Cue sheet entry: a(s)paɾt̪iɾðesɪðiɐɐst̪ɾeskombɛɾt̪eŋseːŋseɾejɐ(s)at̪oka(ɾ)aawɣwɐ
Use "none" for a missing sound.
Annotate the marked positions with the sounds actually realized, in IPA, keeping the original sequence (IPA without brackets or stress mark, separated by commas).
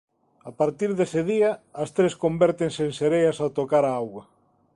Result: none, s, ɾ